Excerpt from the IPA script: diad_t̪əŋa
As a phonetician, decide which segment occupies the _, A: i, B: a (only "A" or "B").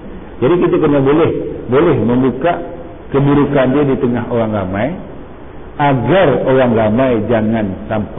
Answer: A